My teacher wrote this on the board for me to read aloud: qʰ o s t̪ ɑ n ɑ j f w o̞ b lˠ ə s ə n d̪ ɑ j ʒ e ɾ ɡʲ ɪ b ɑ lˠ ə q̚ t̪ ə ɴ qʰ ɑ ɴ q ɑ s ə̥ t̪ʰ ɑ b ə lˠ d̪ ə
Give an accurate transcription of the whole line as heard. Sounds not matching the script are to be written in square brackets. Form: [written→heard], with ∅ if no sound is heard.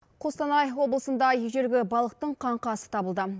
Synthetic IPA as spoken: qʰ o s t̪ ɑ n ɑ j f w o̞ b lˠ ə s ə n d̪ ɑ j ʒ e ɾ ɡʲ ɪ b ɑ lˠ ə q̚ t̪ ə ɴ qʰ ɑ ɴ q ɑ s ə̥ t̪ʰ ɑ b ə lˠ d̪ ə